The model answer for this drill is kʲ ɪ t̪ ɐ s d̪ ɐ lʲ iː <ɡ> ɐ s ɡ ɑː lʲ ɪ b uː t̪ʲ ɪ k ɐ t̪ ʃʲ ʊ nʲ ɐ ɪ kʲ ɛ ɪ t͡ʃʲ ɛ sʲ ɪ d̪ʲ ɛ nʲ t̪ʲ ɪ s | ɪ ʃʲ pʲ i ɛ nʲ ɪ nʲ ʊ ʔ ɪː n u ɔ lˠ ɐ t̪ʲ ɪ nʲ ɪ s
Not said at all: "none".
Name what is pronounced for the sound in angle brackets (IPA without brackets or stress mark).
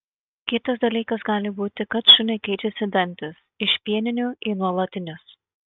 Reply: k